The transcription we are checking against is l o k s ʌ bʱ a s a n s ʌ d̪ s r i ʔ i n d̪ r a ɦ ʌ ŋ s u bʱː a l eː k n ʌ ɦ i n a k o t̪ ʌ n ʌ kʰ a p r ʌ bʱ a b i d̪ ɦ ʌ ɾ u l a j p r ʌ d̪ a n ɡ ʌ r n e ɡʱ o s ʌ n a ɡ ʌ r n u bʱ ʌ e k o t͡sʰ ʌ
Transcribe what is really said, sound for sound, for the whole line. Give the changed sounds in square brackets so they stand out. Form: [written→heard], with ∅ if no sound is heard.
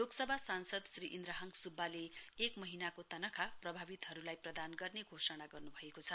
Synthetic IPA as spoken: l o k s ʌ bʱ a s a n s ʌ d̪ s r i ʔ i n d̪ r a ɦ ʌ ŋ s u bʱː a l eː k [n→m] ʌ ɦ i n a k o t̪ ʌ n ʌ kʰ a p r ʌ bʱ a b i [d̪→t̪] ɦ ʌ ɾ u l a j p r ʌ d̪ a n ɡ ʌ r n e ɡʱ o s ʌ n a ɡ ʌ r n u bʱ ʌ e k o t͡sʰ ʌ